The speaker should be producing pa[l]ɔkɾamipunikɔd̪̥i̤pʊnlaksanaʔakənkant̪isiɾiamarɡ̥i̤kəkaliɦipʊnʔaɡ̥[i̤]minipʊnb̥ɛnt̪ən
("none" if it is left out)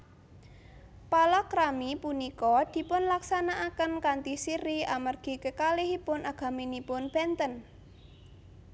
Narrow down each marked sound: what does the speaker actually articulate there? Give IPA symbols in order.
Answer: l, a̤

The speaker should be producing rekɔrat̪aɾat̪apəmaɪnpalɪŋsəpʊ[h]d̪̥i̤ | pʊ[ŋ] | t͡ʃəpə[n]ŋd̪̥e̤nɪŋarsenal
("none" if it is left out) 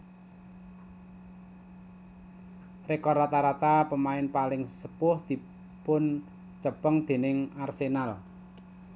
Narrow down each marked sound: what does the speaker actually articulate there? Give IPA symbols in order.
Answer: h, n, none

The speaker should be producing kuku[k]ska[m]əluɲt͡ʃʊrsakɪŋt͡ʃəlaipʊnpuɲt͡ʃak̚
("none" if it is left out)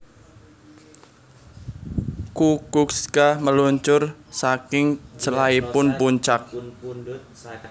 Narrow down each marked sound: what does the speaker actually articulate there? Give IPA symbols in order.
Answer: k, m

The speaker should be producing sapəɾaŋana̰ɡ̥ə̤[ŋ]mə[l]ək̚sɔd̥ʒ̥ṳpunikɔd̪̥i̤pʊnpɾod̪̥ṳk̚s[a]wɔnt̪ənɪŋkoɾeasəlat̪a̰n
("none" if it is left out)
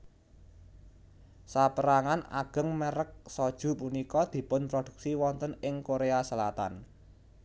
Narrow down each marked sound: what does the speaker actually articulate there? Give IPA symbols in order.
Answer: ŋ, ɾ, i

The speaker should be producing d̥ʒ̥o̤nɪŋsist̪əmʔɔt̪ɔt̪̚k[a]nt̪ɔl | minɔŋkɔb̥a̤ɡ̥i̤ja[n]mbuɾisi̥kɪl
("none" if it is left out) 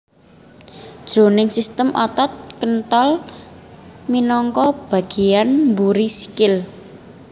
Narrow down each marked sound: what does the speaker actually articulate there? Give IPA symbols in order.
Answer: ə, n

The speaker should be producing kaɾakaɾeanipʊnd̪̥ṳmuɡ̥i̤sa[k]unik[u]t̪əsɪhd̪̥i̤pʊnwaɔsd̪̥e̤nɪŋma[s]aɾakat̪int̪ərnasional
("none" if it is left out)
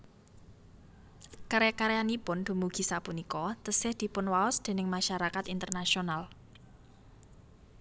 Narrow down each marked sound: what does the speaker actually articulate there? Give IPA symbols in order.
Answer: p, ɔ, ʃ

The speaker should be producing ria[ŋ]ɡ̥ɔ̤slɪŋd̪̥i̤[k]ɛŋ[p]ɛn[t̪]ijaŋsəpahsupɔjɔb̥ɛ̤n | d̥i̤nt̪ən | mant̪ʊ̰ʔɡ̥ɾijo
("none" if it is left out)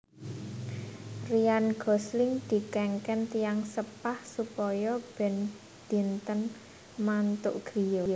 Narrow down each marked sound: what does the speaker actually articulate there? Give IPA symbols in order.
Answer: n, k, k, t̪

